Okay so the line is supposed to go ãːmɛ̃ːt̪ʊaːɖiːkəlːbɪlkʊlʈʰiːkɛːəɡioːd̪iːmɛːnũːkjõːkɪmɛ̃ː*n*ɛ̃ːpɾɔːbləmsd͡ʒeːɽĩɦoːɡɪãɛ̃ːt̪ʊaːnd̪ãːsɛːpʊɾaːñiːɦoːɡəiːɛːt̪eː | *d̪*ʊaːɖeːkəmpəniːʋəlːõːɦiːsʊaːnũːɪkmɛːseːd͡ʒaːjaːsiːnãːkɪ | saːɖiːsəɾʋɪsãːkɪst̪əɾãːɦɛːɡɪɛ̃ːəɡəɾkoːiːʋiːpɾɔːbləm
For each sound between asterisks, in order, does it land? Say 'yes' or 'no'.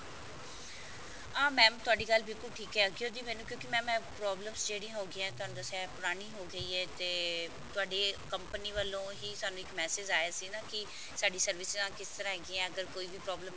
no, no

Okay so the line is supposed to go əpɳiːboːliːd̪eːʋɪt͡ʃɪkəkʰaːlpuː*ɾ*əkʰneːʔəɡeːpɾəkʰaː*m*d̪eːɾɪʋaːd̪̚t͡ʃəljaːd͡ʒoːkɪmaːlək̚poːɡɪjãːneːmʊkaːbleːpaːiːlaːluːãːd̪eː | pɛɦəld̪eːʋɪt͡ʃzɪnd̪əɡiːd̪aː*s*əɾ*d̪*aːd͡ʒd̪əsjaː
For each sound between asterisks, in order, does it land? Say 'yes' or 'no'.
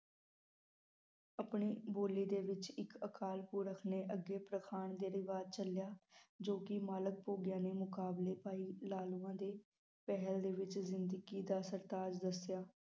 yes, no, yes, no

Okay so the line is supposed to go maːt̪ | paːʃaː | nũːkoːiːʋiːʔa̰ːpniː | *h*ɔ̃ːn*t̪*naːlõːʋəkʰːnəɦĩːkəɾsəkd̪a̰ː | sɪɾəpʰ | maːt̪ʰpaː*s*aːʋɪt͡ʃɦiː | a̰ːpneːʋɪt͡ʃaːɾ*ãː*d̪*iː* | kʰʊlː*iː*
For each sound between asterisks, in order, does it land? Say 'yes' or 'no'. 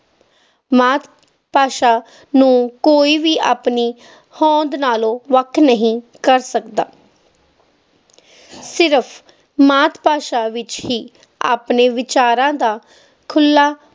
yes, no, no, yes, no, no

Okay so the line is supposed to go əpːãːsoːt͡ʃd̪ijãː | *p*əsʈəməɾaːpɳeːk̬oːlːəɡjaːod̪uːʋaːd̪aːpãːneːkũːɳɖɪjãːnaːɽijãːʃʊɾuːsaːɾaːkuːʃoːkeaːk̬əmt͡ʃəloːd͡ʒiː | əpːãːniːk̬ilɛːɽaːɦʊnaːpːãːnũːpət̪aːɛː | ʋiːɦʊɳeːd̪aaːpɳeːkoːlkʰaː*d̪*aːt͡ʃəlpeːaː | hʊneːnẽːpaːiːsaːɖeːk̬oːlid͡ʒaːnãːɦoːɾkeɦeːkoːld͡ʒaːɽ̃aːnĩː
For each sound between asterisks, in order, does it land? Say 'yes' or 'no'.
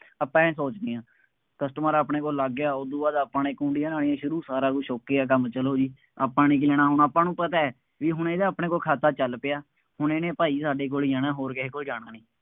no, no

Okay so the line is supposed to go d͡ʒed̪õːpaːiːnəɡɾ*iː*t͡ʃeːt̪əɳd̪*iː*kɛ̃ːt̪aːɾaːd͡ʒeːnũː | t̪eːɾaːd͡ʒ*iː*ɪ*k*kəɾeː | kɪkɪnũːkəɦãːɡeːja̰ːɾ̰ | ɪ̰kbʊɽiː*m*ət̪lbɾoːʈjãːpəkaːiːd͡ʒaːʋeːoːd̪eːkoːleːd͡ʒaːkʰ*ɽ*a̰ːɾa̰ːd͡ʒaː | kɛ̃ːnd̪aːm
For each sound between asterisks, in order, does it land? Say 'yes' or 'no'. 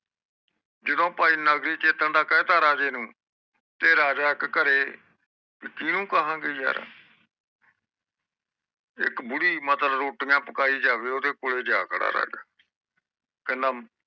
yes, no, no, yes, yes, yes

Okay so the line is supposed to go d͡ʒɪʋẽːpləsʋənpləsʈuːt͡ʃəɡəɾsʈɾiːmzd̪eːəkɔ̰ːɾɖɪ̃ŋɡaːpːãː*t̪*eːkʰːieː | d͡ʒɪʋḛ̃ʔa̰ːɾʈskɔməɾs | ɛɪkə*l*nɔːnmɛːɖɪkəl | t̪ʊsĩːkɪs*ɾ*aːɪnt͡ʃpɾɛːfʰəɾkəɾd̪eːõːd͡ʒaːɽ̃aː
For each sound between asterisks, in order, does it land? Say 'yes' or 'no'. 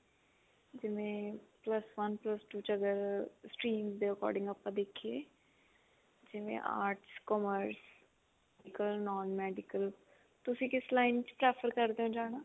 no, yes, no

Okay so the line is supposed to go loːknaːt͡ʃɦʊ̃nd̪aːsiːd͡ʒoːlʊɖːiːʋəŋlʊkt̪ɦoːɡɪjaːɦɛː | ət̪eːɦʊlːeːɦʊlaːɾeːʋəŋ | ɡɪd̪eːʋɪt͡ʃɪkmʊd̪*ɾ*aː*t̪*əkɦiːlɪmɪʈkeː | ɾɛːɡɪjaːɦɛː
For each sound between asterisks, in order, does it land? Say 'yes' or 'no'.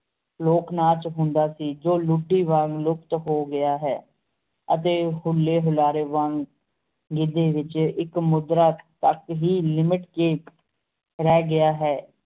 yes, yes

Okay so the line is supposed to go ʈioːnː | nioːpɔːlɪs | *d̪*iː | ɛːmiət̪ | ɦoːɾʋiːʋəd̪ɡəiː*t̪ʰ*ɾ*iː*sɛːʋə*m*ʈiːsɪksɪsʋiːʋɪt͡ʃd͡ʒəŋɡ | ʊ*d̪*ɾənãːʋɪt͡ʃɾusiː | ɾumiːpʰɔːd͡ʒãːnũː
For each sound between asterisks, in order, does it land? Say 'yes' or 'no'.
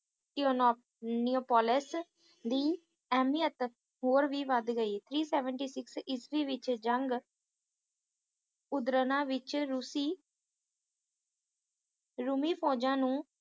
yes, yes, yes, no, yes

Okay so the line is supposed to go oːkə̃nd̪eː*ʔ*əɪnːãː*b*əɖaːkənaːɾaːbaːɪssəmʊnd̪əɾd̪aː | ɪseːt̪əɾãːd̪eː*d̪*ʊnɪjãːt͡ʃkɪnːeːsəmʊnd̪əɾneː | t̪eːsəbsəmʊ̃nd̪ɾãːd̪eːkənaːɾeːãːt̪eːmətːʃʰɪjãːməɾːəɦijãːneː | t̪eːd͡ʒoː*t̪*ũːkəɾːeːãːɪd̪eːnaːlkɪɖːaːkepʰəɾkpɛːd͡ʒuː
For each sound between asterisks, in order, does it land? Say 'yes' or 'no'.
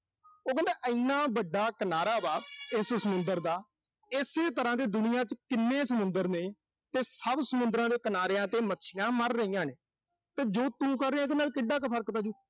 yes, yes, yes, yes

